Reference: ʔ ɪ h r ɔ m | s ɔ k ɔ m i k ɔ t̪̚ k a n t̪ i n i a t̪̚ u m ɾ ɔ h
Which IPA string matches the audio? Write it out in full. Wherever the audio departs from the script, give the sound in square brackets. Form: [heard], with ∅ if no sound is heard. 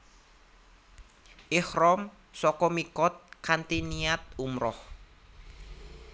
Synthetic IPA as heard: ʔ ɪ h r ɔ m | s ɔ k ɔ m i k ɔ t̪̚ k a n t̪ i n i a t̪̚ u m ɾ ɔ h